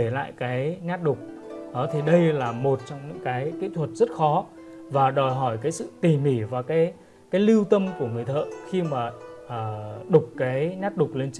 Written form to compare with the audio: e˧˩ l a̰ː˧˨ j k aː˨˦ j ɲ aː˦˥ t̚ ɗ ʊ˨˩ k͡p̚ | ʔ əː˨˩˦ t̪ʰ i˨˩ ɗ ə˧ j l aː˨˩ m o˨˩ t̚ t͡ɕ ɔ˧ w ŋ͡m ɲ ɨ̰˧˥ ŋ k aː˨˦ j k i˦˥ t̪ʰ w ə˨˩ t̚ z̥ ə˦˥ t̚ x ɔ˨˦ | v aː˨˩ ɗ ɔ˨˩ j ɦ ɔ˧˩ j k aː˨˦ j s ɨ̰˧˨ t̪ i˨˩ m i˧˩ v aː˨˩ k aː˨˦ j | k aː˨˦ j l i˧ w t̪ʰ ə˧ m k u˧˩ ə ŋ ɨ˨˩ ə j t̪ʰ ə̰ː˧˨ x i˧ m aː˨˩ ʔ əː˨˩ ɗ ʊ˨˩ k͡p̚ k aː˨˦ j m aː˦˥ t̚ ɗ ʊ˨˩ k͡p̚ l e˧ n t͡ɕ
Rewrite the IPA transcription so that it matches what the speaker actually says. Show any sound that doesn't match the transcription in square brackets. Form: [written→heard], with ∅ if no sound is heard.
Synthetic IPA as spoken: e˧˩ l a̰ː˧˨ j k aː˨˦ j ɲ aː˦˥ t̚ ɗ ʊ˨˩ k͡p̚ | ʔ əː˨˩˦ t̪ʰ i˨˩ ɗ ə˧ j l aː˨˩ m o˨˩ t̚ t͡ɕ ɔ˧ w ŋ͡m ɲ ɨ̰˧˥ ŋ k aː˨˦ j k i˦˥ t̪ʰ w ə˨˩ t̚ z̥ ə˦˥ t̚ x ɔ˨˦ | v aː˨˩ ɗ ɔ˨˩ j ɦ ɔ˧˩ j k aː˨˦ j s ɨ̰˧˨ t̪ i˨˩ m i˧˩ v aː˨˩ k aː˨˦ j | k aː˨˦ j l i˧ w [t̪ʰ→t̪] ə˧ m k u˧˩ ə ŋ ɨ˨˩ ə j t̪ʰ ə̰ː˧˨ x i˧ m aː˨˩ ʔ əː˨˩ ɗ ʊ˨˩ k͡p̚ k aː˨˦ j [m→ɲ] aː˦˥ t̚ ɗ ʊ˨˩ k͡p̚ l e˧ n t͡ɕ